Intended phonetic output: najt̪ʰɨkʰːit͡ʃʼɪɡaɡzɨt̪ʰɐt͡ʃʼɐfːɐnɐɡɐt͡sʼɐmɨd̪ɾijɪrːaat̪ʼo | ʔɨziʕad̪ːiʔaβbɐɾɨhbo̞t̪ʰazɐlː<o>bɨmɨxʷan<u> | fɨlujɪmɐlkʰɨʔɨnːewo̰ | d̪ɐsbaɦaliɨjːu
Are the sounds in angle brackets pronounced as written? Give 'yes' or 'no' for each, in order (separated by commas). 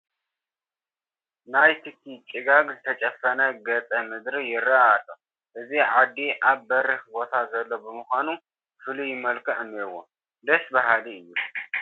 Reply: yes, yes